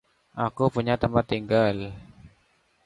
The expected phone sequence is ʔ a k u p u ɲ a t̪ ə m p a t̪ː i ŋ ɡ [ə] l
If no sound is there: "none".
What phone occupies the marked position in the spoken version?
a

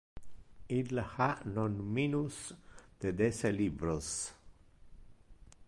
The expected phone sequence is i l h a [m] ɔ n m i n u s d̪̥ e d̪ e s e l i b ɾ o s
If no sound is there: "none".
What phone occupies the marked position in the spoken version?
n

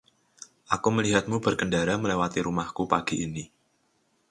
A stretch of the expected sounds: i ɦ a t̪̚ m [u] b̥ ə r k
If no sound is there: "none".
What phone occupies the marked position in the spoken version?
u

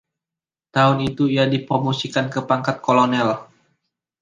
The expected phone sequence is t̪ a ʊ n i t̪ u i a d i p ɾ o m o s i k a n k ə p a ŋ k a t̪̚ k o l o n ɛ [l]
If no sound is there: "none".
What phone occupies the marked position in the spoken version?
l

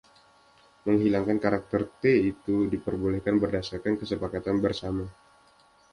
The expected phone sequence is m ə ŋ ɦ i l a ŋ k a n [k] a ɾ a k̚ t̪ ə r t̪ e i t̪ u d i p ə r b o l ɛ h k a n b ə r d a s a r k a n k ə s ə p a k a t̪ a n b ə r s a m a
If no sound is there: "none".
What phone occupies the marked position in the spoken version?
k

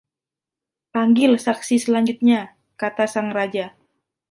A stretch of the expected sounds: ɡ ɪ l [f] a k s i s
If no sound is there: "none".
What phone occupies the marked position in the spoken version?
s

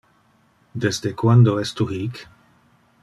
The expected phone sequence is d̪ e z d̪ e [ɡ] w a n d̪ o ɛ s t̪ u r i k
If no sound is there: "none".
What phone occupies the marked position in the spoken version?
k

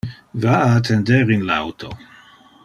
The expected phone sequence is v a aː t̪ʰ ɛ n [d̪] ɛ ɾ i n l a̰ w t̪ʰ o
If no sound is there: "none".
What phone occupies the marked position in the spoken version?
d̪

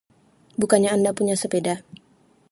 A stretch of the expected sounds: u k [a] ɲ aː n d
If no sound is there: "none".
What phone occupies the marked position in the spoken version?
a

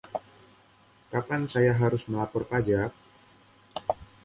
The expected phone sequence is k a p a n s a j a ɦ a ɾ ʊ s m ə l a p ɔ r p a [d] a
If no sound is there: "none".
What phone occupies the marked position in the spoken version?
d͡ʒ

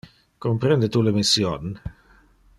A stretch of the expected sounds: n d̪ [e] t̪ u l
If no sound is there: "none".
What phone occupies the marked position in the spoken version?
e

